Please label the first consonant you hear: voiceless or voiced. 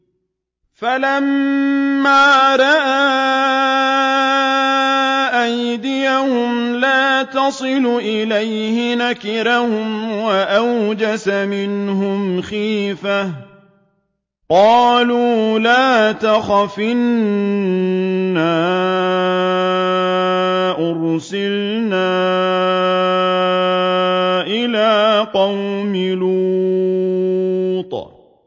voiceless